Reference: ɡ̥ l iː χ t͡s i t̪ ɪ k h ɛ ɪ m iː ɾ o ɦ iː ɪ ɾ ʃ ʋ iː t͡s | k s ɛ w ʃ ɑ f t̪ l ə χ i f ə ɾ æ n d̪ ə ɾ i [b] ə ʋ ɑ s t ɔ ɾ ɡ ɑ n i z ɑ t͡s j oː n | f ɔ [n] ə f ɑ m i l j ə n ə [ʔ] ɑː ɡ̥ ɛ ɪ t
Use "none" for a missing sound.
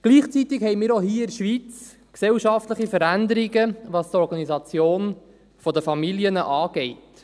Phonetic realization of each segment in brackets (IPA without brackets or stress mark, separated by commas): ɡ, d, ʔ